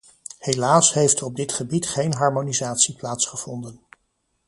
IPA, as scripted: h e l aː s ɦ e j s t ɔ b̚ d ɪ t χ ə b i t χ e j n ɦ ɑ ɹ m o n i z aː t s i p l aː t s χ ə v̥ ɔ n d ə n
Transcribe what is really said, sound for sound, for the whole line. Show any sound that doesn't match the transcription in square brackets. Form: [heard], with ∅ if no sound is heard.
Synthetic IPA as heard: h e l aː s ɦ e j [f] t ɔ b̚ d ɪ t χ ə b i t χ e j n ɦ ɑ ɹ m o n i z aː t s i p l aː t s χ ə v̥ ɔ n d ə n